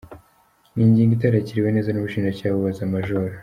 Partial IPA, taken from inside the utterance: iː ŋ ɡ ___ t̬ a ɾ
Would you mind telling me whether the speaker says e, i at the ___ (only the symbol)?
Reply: i